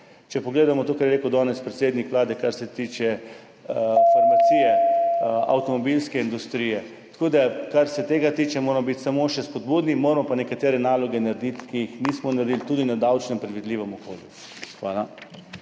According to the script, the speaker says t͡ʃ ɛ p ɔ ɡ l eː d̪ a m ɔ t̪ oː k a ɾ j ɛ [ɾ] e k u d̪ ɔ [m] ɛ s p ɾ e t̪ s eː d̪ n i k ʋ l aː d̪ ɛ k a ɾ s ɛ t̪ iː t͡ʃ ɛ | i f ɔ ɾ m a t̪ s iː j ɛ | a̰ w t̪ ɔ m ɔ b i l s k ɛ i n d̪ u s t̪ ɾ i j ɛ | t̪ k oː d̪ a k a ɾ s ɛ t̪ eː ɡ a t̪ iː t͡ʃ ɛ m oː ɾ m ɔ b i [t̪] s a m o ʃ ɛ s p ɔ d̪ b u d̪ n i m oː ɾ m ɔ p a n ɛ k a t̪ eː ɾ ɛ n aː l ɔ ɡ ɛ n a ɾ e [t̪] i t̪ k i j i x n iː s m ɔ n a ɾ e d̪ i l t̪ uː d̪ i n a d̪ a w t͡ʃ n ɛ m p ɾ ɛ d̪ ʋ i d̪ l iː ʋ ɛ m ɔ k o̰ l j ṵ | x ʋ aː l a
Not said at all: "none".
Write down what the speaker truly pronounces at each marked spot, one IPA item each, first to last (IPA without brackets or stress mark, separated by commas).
ɾ, n, t̪, d̪